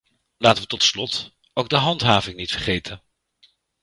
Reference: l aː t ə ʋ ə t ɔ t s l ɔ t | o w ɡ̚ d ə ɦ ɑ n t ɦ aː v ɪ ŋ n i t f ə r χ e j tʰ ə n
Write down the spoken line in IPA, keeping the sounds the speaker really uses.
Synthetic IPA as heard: l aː t ə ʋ ə t ɔ t s l ɔ t | o w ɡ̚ d ə ɦ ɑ n t ɦ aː v ɪ ŋ n i t f ə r χ e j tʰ ə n